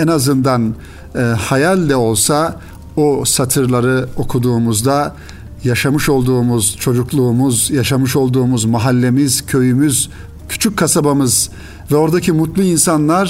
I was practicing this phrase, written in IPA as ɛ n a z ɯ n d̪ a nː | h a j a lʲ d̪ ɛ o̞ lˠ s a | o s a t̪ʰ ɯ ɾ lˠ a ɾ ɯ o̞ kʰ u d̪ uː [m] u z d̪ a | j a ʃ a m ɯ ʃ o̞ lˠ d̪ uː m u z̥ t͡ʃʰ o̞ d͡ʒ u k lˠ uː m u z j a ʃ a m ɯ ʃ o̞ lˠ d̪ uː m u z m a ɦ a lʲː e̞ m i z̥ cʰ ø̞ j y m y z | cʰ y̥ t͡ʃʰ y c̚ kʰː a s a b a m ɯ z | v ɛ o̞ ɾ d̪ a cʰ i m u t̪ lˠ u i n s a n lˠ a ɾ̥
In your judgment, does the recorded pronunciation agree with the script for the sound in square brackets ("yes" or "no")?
yes